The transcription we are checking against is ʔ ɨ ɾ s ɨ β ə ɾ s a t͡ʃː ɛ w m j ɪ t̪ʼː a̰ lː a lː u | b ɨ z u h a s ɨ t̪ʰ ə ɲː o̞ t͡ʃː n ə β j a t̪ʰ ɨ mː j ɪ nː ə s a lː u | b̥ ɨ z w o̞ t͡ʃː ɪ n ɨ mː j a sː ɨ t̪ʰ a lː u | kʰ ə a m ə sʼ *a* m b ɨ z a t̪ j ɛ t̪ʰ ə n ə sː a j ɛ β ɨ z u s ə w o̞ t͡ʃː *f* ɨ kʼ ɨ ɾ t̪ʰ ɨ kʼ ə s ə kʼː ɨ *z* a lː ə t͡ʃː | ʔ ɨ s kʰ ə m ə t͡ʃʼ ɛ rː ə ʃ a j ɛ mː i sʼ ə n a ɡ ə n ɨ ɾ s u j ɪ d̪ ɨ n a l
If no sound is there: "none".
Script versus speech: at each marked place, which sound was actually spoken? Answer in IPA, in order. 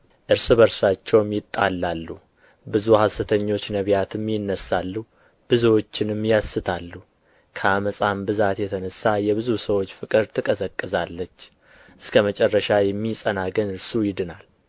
a, f, z

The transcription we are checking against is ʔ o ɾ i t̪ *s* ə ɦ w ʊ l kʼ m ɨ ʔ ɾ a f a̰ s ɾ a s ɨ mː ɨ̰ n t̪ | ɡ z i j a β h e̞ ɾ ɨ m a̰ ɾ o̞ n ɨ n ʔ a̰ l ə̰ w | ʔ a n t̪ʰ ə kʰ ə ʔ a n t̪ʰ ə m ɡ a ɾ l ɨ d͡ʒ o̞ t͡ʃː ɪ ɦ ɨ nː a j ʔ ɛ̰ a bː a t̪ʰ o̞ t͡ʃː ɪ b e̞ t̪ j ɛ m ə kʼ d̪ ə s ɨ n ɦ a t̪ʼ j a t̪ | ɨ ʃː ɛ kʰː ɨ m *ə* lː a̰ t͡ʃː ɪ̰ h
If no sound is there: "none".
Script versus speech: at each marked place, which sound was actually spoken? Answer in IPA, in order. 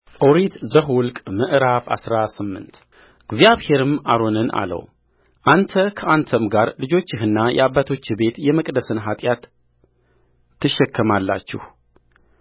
z, a

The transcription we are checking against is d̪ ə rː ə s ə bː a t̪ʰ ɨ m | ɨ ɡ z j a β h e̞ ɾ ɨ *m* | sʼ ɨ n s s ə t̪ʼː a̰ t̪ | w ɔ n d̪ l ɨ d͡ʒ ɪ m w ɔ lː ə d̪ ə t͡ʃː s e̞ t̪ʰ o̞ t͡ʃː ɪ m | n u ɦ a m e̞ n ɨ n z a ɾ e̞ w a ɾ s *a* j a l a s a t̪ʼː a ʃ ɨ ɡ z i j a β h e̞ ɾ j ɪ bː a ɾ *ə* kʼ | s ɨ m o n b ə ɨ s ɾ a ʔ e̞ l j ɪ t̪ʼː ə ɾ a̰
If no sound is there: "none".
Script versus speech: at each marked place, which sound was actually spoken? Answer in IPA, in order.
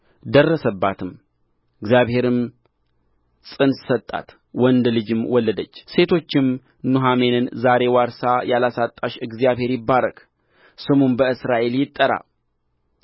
m, a, ə

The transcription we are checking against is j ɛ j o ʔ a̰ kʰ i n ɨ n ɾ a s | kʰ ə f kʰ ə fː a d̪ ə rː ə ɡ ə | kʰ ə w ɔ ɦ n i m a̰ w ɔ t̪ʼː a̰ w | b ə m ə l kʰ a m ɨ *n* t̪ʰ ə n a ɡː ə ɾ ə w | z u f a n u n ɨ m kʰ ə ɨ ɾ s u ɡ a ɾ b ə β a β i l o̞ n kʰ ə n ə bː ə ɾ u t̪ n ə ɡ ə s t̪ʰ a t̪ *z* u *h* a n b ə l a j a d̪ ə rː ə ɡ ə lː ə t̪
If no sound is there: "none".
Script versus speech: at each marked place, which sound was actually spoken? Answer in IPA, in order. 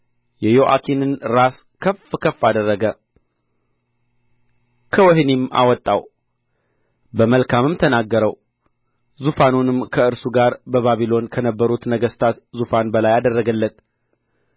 m, z, f

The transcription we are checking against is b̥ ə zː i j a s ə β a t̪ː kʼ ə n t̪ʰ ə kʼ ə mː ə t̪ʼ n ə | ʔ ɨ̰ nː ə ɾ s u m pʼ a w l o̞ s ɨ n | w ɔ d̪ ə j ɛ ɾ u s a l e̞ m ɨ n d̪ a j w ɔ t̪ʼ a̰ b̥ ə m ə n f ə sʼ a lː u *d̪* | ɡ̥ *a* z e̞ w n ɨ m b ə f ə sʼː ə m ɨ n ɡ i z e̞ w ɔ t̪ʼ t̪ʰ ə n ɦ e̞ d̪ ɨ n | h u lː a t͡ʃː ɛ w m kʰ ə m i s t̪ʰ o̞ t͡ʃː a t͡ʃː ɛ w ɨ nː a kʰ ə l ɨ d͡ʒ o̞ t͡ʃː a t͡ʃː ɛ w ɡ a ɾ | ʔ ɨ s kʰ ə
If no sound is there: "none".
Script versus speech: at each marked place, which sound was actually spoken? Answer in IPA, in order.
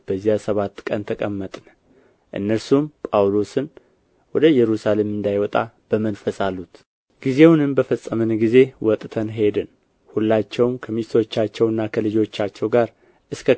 t̪, i

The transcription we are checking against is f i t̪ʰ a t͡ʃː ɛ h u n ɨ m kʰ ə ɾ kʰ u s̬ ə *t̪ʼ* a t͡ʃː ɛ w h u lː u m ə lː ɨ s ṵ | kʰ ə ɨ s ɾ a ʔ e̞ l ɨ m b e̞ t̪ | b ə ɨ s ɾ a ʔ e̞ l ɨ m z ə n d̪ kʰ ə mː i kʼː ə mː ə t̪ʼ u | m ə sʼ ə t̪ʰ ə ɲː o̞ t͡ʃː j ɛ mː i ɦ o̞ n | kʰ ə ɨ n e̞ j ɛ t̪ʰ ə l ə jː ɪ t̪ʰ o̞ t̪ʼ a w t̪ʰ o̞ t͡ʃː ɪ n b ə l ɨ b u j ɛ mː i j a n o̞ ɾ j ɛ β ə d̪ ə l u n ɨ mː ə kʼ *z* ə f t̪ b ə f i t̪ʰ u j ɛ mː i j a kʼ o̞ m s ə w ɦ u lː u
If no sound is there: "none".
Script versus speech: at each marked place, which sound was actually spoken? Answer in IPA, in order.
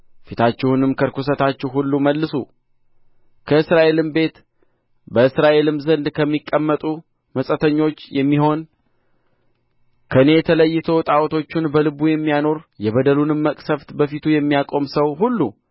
t̪, s

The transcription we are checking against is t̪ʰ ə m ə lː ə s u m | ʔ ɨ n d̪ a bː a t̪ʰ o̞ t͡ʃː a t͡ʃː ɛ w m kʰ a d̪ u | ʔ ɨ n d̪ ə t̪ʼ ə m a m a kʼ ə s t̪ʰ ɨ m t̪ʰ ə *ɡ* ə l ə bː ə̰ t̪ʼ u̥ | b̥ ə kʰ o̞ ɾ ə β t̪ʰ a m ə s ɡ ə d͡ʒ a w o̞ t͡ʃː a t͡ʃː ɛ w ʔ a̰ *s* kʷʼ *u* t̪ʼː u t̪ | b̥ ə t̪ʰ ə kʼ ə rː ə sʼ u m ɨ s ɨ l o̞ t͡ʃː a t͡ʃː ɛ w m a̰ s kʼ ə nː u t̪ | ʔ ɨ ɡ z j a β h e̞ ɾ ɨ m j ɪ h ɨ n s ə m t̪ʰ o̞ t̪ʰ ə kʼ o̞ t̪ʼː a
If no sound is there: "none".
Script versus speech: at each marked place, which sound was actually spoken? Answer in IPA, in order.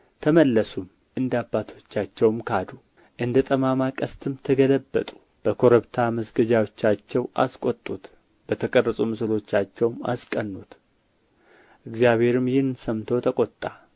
ɡ, s, o

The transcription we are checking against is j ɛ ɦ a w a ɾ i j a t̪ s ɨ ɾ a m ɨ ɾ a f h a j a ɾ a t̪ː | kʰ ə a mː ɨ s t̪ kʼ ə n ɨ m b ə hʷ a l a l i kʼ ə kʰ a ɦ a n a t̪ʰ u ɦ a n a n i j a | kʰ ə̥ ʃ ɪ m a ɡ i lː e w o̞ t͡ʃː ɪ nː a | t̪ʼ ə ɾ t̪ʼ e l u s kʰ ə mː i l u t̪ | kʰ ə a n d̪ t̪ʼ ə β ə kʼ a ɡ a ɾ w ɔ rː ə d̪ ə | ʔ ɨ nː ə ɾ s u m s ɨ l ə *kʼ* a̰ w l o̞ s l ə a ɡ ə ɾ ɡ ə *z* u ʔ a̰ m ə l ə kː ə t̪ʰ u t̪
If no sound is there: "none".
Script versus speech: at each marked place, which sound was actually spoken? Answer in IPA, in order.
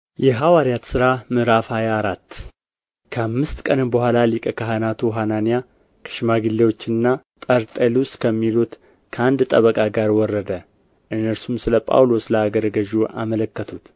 pʼ, ʒ

